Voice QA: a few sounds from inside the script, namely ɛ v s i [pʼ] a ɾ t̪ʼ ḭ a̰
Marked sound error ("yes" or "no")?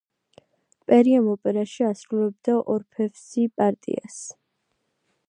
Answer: no